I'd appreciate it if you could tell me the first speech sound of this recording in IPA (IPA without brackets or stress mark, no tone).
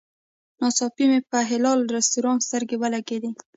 n